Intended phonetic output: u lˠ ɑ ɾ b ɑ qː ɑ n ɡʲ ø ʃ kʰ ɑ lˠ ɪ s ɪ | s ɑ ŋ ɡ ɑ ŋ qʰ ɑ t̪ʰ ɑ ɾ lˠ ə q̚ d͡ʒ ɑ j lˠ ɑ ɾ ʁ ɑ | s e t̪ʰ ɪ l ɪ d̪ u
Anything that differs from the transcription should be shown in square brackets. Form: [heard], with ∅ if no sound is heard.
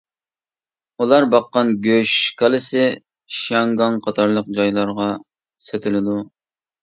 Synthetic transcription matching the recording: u lˠ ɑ ɾ b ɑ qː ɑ n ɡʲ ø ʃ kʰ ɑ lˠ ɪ s ɪ | [ʃ] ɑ ŋ ɡ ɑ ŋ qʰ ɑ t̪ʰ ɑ ɾ lˠ ə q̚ d͡ʒ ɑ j lˠ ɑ ɾ ʁ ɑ | s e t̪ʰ ɪ l ɪ d̪ u